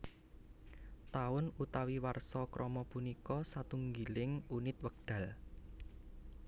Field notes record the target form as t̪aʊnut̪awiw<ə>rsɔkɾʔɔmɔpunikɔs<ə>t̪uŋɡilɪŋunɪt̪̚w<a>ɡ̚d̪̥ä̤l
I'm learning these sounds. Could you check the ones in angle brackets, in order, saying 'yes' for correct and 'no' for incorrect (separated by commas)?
no, no, no